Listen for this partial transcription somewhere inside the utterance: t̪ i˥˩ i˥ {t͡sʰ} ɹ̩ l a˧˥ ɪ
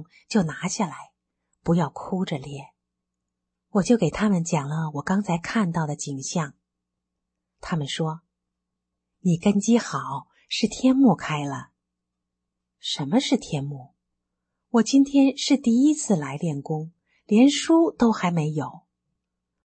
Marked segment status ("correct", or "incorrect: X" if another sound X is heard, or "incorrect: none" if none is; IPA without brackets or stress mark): correct